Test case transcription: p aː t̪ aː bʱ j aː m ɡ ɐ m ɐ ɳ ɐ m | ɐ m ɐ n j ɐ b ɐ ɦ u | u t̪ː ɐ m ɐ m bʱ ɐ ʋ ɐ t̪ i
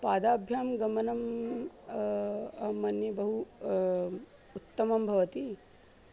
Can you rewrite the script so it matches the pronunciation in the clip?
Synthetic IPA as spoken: p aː d̪ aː bʱ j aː m ɡ ɐ m ɐ n ɐ m | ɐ m ɐ n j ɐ b ɐ ɦ u | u t̪ː ɐ m ɐ m bʱ ɐ ʋ ɐ t̪ i